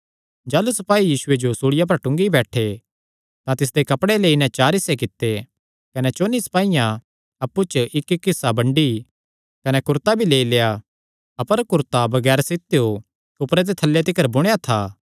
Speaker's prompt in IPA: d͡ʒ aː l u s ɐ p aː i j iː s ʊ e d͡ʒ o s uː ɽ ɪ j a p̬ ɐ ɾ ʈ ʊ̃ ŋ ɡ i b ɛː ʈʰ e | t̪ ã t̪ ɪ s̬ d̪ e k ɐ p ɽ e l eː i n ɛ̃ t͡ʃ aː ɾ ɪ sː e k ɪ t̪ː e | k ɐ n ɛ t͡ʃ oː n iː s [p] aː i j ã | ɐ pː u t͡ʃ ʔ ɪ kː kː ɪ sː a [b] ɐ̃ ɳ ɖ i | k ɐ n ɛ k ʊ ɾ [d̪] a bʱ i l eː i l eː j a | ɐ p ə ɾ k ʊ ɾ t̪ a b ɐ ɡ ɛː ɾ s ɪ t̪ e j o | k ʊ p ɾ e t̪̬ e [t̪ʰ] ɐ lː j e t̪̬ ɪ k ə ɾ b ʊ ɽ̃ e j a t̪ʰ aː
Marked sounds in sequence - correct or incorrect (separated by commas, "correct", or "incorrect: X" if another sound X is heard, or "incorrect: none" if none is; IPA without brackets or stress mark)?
correct, correct, incorrect: t̪, correct